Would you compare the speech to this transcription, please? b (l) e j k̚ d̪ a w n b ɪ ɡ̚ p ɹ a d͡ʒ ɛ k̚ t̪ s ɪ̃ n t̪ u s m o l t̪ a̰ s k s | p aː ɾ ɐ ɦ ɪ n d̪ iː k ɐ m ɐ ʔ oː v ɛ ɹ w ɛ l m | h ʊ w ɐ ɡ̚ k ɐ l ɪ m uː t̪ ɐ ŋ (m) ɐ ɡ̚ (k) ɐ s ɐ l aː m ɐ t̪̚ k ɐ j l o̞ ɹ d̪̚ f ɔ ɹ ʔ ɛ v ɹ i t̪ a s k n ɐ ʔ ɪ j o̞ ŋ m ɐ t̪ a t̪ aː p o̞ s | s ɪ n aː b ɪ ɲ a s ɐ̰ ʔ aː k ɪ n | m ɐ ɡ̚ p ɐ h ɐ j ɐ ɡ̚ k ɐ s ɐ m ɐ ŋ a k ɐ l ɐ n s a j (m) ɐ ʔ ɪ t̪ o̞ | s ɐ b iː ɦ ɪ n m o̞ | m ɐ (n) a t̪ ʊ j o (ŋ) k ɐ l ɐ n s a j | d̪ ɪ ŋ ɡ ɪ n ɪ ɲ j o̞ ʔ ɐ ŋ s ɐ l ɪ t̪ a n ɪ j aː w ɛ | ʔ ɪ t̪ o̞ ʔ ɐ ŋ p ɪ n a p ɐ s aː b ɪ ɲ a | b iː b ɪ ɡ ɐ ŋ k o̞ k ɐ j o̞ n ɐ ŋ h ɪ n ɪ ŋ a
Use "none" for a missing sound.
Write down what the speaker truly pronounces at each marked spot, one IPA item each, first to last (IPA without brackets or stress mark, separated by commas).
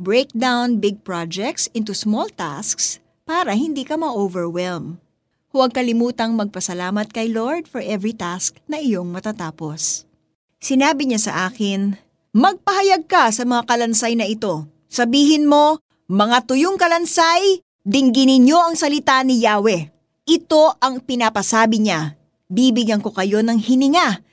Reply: ɹ, m, p, n, ŋ, ŋ